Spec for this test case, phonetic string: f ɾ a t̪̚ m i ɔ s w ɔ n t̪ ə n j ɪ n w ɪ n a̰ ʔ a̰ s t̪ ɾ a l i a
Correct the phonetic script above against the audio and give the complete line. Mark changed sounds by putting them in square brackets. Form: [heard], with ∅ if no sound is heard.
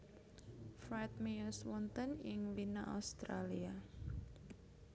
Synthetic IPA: f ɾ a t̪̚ m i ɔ s w ɔ n t̪ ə n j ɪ [ŋ] w [i] n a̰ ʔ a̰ s t̪ ɾ a l i a